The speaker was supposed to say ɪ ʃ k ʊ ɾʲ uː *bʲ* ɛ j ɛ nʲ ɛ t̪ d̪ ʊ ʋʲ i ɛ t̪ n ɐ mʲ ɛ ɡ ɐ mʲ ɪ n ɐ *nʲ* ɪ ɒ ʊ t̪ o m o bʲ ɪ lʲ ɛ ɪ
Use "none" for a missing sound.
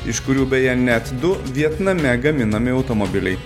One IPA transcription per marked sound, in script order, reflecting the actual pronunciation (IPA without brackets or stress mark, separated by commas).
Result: bʲ, mʲ